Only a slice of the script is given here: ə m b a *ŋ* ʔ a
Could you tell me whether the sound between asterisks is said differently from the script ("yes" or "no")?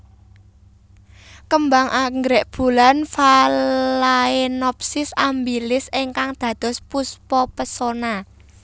no